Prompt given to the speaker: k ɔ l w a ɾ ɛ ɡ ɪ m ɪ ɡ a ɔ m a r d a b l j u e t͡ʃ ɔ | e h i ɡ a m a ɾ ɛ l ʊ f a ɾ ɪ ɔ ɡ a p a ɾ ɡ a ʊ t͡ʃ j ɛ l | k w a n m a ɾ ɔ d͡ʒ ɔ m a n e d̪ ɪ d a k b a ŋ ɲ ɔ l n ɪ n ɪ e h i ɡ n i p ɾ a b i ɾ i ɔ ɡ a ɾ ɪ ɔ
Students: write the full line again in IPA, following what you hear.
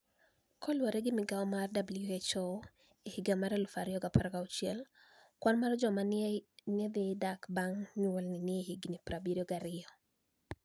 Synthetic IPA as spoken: k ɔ l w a ɾ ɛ ɡ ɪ m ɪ ɡ a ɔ m a r d a b l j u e t͡ʃ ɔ | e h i ɡ a m a ɾ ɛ l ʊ f a ɾ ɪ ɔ ɡ a p a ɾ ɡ a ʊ t͡ʃ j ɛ l | k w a n m a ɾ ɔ d͡ʒ ɔ m a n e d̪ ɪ d a k b a ŋ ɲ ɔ l n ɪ n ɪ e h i ɡ n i p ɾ a b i ɾ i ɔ ɡ a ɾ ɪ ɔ